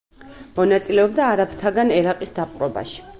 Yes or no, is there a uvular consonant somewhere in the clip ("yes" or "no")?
yes